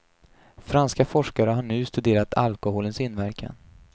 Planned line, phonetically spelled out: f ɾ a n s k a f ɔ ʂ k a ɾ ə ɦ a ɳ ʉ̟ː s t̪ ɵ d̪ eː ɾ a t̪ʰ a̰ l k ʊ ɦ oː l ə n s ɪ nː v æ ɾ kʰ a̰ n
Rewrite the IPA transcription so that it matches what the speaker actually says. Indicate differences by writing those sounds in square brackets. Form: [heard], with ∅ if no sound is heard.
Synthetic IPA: f ɾ a n s k a f ɔ ʂ k a ɾ ə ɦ a ɳ ʉ̟ː s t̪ ɵ d̪ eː ɾ a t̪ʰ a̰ l k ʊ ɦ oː l ə n s ɪ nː v æ ɾ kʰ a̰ n